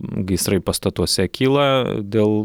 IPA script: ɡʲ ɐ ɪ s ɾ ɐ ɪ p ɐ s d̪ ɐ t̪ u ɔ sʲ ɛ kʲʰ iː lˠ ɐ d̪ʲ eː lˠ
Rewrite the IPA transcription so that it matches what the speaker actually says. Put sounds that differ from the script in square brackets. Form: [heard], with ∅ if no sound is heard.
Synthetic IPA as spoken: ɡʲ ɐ ɪ s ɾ ɐ ɪ p ɐ s [t̪] ɐ t̪ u ɔ sʲ ɛ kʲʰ iː lˠ ɐ d̪ʲ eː lˠ